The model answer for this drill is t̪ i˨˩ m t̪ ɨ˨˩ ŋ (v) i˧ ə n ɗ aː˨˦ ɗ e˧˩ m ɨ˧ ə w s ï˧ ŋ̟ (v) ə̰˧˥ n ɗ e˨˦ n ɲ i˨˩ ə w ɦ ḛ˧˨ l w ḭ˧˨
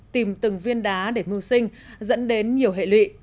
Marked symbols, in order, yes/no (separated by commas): yes, no